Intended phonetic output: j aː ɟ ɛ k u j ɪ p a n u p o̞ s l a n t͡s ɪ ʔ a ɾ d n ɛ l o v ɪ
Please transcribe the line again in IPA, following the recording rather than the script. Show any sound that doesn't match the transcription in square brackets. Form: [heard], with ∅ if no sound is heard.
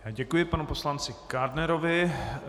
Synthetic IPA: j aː ɟ ɛ k u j ɪ p a n u p o̞ s l a n t͡s ɪ [k] a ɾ d n ɛ [ɾ] o v ɪ